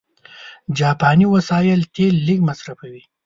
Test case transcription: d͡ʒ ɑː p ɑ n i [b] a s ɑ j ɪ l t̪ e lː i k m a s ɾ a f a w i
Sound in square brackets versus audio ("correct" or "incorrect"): incorrect